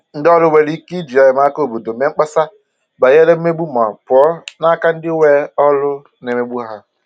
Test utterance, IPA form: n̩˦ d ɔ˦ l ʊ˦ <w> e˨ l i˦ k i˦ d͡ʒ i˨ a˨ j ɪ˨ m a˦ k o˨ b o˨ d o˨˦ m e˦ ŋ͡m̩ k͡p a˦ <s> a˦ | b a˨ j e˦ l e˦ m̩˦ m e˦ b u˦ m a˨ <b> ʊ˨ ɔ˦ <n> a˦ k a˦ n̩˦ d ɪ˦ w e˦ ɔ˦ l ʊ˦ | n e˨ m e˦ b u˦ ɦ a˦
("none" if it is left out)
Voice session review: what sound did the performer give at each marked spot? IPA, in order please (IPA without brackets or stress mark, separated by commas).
w, s, p, n